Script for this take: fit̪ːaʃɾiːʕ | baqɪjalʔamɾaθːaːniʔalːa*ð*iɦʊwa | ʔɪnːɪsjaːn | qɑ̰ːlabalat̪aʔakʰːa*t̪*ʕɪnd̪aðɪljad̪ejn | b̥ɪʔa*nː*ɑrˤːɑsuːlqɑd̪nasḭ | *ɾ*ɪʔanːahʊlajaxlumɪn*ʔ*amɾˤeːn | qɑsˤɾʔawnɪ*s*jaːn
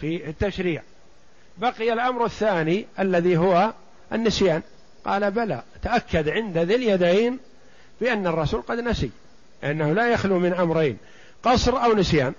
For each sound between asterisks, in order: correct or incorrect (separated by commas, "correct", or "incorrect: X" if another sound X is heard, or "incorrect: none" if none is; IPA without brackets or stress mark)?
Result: correct, incorrect: d̪, correct, incorrect: l, correct, correct